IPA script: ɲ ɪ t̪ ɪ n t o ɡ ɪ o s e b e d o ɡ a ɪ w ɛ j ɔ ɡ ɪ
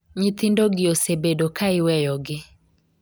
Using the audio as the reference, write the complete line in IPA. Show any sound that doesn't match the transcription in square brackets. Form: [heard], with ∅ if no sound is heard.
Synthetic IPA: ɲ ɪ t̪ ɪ n [d] o ɡ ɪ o s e b e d o [k] a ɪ w ɛ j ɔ ɡ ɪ